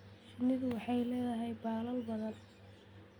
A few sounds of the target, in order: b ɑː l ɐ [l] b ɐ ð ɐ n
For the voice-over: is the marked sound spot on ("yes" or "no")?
yes